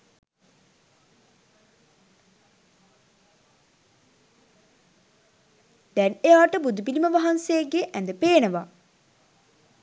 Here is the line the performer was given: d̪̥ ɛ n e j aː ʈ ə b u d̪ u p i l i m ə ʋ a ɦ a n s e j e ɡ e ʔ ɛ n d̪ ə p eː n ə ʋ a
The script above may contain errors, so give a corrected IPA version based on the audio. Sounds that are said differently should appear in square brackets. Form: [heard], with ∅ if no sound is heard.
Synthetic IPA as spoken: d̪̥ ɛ n e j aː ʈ ə b u d̪ u p i l i m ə ʋ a ɦ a n s e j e ɡ e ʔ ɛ n d̪ ə p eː n ə ʋ a

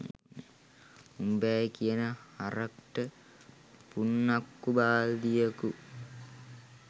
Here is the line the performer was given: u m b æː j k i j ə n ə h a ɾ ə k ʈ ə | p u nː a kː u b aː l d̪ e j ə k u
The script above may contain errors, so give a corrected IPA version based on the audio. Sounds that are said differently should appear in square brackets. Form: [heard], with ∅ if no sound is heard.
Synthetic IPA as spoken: u m b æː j k i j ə n ə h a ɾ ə k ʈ ə | p u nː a kː u b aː l d̪ [i] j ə k u

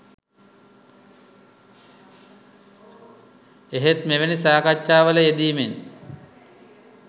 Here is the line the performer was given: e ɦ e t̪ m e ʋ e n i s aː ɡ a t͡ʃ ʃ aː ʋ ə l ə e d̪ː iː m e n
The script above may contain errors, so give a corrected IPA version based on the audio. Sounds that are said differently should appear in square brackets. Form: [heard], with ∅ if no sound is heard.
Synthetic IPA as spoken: e ɦ e t̪ m e ʋ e n i s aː [k] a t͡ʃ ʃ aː ʋ ə l ə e [d̪] iː m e n

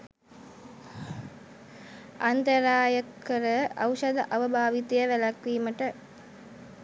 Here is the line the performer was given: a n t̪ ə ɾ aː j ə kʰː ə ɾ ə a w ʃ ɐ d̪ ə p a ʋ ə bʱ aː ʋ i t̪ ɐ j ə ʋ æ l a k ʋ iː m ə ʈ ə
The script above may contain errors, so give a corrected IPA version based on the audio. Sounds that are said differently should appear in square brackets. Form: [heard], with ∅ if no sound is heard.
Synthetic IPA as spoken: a n t̪ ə ɾ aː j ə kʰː ə ɾ ə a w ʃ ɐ d̪ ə [ʔ] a ʋ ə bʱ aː ʋ i t̪ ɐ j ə ʋ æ l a k ʋ iː m ə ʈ ə

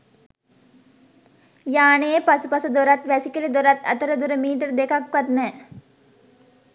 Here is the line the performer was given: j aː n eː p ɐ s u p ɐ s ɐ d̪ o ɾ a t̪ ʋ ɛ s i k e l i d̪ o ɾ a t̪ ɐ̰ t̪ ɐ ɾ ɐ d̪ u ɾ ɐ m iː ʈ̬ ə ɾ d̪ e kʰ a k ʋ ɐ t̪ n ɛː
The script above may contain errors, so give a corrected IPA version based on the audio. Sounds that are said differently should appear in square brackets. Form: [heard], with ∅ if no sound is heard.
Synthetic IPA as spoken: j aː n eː p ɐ s u p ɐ s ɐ d̪ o ɾ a t̪ ʋ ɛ s i k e l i d̪ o ɾ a t̪ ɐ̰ t̪ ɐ ɾ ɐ d̪ u ɾ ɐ m iː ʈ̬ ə ɾ d̪ e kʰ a k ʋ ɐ t̪ n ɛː

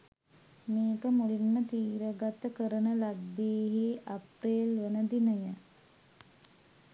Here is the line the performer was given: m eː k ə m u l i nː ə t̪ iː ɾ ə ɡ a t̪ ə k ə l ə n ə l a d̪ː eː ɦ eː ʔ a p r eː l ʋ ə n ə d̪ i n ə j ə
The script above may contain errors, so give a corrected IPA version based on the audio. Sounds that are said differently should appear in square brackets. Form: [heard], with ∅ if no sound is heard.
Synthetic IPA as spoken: m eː k ə m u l i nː ə t̪ iː ɾ ə ɡ a t̪ ə k ə [ɾ] ə n ə l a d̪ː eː ɦ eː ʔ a p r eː l ʋ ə n ə d̪ i n ə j ə

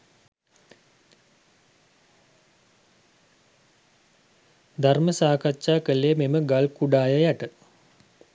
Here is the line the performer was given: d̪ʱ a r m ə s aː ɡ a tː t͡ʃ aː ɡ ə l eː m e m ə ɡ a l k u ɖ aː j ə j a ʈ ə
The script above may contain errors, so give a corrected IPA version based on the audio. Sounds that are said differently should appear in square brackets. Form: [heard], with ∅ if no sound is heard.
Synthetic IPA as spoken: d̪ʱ a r m ə s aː [k] a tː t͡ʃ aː [k] ə l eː m e m ə ɡ a l k u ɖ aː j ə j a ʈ ə

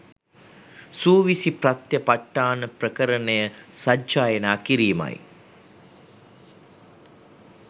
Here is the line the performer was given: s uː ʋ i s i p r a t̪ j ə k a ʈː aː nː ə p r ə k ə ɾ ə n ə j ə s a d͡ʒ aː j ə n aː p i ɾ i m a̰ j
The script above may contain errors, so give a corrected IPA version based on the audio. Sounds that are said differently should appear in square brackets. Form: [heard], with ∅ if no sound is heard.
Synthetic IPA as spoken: s uː ʋ i s i p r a t̪ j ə [p] a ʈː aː [n] ə p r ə k ə ɾ ə n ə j ə s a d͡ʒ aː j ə n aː [k] i ɾ [iː] m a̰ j

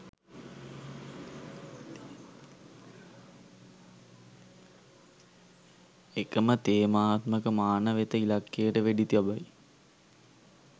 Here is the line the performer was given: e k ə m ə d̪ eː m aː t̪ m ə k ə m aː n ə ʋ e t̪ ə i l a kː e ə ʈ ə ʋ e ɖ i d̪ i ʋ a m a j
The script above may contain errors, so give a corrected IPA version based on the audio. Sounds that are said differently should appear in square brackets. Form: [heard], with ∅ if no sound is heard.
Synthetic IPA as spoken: e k ə m ə [t̪] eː m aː t̪ m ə k ə m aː n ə ʋ e t̪ ə i l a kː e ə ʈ ə ʋ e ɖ i [t̪] i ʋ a [b] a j

